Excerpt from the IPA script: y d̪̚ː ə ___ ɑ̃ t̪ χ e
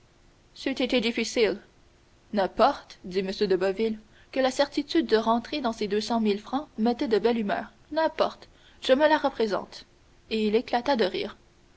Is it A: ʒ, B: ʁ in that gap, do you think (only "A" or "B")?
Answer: B